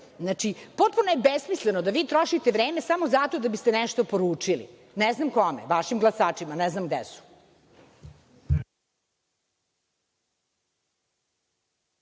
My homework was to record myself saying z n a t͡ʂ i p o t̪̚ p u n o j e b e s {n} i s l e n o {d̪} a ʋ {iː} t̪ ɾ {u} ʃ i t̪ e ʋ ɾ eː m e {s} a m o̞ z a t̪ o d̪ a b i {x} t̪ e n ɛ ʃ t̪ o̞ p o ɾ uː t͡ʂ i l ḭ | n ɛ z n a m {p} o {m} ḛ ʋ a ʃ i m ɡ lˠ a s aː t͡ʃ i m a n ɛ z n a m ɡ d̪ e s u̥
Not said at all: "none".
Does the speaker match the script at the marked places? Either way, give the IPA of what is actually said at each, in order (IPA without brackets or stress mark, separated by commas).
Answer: m, d̪, iː, o, s, s, k, m